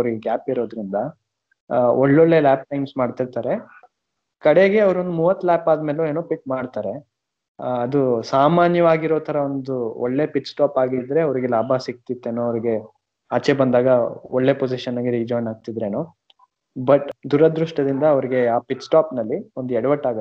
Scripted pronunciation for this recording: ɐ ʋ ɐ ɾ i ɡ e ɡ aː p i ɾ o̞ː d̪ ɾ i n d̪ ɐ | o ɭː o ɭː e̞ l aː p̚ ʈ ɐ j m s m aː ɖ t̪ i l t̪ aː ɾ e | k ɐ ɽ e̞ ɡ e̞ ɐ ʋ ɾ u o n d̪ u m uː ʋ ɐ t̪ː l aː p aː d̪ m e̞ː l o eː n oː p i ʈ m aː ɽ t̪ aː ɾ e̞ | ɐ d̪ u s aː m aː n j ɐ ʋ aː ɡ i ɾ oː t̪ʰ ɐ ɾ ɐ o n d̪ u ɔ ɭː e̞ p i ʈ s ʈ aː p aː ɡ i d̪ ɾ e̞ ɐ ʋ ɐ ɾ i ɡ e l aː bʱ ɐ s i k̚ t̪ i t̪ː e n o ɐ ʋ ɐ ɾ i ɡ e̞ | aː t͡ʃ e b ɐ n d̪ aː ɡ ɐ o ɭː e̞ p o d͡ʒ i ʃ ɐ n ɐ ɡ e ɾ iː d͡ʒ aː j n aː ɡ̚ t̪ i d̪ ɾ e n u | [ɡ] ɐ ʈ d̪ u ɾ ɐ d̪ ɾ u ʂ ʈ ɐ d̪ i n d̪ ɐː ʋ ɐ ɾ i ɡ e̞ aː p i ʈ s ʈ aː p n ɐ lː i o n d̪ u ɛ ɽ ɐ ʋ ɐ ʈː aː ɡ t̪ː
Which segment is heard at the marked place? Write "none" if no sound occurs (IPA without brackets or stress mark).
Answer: b